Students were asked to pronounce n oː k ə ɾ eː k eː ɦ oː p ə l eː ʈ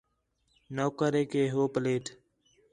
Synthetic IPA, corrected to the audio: n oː k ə ɾ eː k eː ɦ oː p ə l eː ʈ